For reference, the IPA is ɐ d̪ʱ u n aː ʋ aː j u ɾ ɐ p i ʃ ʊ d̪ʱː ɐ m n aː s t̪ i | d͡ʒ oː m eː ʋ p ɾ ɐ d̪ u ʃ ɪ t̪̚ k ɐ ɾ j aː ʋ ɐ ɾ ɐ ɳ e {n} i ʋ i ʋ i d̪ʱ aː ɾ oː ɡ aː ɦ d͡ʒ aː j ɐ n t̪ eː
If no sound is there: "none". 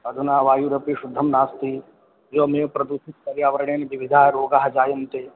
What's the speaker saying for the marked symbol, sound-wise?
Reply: n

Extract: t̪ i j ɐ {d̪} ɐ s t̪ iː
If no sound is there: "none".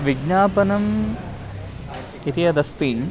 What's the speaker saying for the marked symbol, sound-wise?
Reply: d̪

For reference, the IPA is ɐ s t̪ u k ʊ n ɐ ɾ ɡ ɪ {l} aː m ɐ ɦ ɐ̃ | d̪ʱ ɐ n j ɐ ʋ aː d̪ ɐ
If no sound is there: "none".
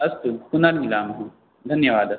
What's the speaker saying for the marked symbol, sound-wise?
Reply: l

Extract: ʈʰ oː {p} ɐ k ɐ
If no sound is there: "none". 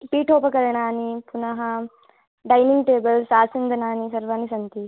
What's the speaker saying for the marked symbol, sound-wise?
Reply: p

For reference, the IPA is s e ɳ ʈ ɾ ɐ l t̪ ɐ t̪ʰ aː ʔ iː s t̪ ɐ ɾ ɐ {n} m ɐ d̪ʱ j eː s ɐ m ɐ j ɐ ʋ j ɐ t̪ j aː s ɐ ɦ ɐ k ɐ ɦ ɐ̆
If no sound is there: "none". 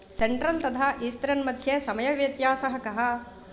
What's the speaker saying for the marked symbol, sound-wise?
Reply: n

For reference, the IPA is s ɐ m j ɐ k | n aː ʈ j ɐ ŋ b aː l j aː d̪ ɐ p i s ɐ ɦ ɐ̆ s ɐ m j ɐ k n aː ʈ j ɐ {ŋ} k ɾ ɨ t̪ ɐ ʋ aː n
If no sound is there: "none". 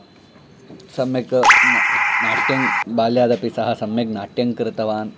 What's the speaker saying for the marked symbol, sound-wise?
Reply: ŋ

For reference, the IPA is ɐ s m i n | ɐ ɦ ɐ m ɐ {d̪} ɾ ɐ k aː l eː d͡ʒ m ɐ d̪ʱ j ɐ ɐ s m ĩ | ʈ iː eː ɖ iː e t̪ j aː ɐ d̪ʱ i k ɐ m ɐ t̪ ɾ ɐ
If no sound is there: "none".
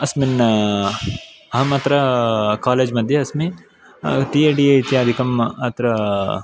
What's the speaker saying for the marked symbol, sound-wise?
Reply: t̪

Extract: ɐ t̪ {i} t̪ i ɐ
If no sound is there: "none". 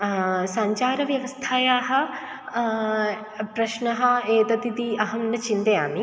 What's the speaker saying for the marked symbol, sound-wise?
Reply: i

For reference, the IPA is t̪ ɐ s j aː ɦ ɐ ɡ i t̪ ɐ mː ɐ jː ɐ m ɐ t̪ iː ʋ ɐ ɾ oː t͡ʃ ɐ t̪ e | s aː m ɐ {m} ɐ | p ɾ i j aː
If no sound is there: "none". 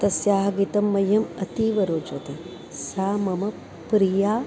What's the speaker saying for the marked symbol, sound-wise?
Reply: m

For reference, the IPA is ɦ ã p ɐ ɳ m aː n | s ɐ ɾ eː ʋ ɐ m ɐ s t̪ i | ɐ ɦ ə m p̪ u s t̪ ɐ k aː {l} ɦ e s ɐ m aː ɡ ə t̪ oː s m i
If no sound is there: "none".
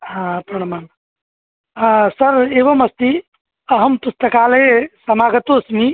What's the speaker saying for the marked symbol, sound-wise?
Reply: l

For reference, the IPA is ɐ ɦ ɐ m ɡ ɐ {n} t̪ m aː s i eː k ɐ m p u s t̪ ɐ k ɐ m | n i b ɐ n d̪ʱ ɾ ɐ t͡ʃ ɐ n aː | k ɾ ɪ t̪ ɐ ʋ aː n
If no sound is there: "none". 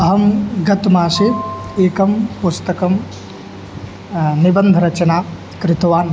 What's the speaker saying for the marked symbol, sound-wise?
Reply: none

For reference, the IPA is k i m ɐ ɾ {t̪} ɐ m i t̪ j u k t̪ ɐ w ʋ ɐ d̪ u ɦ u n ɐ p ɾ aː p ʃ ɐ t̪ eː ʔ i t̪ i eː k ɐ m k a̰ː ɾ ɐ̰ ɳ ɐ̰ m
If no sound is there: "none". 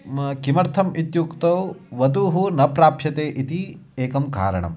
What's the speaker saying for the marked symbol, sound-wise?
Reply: t̪ʰ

